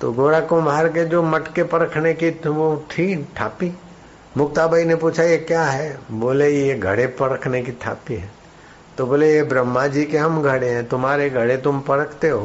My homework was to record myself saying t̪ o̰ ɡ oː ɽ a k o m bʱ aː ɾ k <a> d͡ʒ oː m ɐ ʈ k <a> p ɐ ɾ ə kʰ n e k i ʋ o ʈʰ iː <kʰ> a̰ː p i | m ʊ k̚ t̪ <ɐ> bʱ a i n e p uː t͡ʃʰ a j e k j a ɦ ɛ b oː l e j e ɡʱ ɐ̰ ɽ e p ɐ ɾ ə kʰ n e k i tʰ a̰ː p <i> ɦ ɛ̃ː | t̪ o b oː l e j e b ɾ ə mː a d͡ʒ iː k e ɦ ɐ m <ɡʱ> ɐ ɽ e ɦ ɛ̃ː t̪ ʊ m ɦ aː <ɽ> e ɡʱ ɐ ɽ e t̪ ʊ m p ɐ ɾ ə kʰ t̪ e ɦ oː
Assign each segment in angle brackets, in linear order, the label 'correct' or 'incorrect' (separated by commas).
incorrect, incorrect, incorrect, incorrect, correct, correct, incorrect